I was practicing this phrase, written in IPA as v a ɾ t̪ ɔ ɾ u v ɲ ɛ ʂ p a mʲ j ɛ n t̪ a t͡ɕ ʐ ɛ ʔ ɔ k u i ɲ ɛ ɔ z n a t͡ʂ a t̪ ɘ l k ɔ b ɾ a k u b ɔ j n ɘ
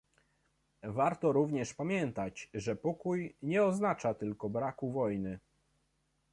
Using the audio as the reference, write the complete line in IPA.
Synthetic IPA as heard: v a ɾ t̪ ɔ ɾ u v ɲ ɛ ʂ p a mʲ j ɛ n t̪ a t͡ɕ ʐ ɛ p ɔ k u j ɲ ɛ ɔ z n a t͡ʂ a t̪ ɘ l k ɔ b ɾ a k u v ɔ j n ɘ